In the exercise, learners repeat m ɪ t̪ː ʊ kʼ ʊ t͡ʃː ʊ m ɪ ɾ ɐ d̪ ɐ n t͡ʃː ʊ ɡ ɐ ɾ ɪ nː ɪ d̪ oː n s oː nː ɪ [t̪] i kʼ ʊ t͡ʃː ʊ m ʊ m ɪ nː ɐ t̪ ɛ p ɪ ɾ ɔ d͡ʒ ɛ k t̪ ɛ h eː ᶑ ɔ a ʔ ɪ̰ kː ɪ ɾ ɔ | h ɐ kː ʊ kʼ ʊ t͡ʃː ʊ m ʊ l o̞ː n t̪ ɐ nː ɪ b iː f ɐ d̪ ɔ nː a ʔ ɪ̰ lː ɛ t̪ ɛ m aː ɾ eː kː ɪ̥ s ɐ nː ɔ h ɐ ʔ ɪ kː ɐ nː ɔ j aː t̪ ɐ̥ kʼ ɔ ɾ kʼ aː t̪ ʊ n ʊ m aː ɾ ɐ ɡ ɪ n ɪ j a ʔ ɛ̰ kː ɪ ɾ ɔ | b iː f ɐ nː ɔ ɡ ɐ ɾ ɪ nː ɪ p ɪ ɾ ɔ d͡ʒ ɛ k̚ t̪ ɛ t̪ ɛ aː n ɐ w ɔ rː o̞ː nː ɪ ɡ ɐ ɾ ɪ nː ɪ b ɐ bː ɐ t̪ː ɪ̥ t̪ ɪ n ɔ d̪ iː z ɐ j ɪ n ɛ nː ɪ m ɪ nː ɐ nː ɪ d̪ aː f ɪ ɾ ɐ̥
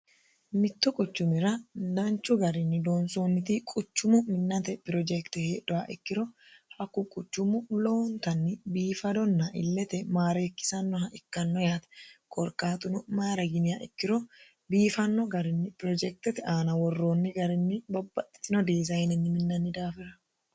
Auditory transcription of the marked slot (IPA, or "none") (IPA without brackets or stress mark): t̪